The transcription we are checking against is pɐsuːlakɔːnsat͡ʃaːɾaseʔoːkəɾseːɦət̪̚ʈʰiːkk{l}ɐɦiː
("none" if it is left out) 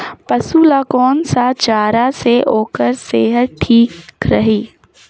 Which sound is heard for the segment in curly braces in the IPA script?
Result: ɾ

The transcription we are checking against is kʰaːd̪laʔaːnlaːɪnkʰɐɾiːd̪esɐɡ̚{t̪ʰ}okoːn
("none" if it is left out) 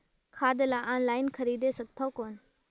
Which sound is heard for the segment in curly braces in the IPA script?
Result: t̪ʰ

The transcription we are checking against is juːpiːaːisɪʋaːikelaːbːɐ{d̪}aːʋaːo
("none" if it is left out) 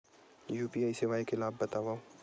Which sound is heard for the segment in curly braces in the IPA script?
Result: t̪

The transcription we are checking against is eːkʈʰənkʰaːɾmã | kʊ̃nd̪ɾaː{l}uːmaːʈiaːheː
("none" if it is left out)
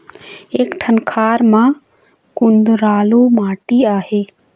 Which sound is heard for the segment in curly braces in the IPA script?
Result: l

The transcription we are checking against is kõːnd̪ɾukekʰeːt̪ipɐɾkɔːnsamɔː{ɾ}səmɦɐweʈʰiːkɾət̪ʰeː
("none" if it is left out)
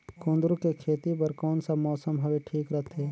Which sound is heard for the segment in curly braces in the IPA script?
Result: none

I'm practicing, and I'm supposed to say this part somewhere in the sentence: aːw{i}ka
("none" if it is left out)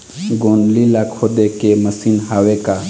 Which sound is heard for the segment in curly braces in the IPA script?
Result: e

